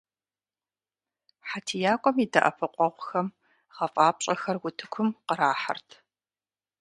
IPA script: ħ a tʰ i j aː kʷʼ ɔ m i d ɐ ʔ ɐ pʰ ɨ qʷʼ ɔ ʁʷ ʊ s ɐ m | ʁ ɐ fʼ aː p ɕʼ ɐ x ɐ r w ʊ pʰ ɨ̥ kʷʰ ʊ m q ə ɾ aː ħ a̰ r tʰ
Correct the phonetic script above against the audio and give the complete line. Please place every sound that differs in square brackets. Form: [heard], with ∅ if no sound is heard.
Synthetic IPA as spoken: ħ a tʰ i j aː kʷʼ ɔ m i d ɐ ʔ ɐ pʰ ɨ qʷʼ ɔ ʁʷ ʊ [x] ɐ m | ʁ ɐ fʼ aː p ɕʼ ɐ x ɐ r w ʊ [tʰ] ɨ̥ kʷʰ ʊ m q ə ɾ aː ħ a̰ r tʰ